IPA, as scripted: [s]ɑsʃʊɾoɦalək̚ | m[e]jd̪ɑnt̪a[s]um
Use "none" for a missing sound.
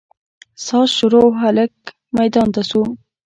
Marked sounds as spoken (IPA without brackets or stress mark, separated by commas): s, a, s